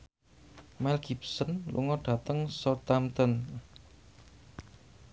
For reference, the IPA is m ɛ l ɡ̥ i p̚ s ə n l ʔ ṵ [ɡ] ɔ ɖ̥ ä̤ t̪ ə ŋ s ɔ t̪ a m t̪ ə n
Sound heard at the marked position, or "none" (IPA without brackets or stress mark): ŋ